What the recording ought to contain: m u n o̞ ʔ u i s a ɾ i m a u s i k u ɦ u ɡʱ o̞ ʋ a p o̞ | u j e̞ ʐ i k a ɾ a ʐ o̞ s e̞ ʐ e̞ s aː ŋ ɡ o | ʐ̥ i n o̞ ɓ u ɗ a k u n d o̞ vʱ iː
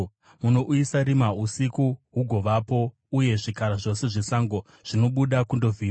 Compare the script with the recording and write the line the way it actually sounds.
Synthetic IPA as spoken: m u n o̞ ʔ u i s a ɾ i m a u s i k u ɦ u ɡʱ o̞ ʋ a p o̞ | u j e̞ ʐ i k a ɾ a ʐ o̞ s e̞ ʐ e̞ s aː ŋ ɡ o | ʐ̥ i n o̞ ɓ u ɗ a k u n d o̞ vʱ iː